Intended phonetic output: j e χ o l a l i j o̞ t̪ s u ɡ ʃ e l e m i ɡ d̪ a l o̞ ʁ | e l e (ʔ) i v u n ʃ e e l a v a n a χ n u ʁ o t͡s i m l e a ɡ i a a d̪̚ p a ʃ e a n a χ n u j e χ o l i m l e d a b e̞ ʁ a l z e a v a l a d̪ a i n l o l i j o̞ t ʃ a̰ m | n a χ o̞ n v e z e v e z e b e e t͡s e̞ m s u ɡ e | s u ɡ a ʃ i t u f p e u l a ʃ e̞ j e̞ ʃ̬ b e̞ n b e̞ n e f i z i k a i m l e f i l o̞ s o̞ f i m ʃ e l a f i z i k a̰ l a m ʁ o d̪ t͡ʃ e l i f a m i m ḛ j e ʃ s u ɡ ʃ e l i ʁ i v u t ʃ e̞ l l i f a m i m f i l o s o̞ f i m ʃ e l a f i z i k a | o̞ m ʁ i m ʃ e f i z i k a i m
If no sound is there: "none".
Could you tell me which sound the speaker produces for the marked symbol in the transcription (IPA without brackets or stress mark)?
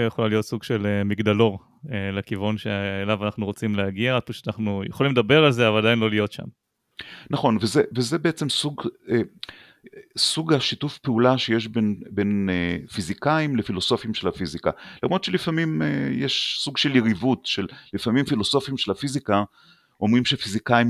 k